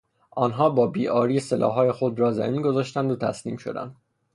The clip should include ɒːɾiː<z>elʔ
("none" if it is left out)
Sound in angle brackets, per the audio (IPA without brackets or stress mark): s